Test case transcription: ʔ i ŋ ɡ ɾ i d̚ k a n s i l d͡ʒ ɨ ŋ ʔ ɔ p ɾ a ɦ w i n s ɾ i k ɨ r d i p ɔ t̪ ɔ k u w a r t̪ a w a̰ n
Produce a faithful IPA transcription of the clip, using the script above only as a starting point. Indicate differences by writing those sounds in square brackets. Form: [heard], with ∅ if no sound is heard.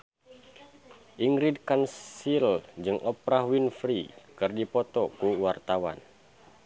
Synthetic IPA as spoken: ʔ i ŋ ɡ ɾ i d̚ k a n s i l d͡ʒ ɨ ŋ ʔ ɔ p ɾ a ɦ w i n [f] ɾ i k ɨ r d i p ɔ t̪ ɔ k u w a r t̪ a w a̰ n